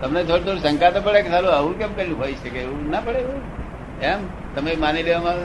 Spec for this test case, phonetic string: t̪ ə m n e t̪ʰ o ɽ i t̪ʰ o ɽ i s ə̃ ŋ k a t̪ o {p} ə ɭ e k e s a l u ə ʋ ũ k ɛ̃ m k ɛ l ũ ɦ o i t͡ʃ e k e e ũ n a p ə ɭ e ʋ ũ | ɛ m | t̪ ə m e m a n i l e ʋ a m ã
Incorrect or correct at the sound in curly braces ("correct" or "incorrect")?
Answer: correct